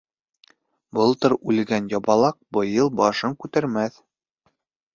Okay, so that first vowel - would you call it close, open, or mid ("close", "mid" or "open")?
mid